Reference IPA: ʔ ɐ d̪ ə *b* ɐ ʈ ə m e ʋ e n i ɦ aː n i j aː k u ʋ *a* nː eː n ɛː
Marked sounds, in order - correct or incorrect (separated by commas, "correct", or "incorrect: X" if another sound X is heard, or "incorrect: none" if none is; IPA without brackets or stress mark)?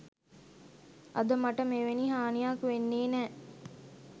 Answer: incorrect: m, incorrect: e